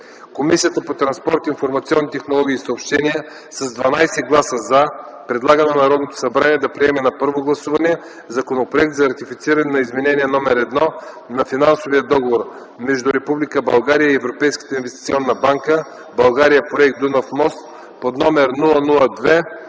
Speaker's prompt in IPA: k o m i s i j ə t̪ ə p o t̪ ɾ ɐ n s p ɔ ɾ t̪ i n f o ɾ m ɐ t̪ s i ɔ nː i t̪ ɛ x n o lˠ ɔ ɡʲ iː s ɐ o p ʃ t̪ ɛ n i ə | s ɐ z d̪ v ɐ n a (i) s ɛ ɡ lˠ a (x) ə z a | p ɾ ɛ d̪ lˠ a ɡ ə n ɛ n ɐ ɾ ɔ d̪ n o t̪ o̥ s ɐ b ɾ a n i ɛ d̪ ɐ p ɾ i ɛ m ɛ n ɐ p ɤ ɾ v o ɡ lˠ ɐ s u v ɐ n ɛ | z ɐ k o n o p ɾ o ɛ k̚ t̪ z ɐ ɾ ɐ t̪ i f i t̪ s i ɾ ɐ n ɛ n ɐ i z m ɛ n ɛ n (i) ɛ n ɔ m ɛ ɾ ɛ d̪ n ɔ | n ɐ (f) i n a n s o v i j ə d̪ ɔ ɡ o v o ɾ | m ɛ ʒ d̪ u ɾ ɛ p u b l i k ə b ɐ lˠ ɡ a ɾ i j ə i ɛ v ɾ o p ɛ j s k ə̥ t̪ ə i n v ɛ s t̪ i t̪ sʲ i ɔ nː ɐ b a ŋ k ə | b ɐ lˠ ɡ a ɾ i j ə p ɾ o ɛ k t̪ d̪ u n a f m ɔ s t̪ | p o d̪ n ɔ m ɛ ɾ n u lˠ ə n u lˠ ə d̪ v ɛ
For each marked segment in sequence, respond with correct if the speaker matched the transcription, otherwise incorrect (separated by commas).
incorrect, incorrect, correct, correct